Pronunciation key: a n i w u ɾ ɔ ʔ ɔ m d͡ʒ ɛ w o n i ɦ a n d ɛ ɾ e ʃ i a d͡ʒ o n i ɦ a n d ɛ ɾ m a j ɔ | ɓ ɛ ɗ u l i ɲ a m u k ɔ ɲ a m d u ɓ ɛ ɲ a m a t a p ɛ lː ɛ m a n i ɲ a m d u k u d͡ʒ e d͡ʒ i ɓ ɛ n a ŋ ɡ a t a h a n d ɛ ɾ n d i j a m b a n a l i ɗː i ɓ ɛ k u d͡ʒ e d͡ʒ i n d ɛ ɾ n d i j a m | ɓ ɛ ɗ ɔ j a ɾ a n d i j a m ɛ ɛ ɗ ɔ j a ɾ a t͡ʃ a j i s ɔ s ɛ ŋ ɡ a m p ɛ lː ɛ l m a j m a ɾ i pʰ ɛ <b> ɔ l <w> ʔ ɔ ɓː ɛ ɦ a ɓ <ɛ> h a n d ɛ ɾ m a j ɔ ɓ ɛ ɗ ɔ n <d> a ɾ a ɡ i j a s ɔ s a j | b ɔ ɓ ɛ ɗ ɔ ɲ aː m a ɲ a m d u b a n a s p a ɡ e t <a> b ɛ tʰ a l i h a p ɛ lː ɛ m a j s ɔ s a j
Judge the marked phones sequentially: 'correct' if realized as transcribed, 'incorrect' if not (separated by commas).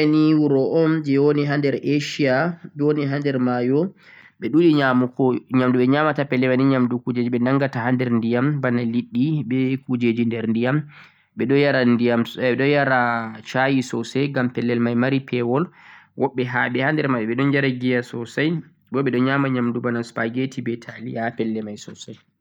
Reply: incorrect, correct, correct, incorrect, incorrect